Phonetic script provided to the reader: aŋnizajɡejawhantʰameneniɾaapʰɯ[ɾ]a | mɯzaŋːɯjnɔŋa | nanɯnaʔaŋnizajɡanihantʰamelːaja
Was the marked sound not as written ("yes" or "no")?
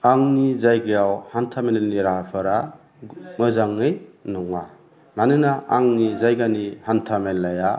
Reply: no